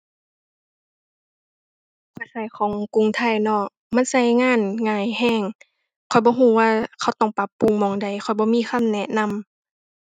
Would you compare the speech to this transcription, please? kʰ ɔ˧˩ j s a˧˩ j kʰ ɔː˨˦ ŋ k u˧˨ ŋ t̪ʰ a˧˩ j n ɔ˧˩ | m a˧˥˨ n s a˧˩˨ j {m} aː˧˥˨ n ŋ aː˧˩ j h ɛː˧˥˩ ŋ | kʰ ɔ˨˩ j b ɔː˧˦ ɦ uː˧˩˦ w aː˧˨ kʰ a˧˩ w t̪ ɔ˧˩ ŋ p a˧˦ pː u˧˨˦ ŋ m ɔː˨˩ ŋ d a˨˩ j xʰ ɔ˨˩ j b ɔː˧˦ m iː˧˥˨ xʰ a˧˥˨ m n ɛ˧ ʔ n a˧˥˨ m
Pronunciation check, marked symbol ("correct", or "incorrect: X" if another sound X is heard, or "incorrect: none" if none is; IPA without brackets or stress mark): incorrect: ŋ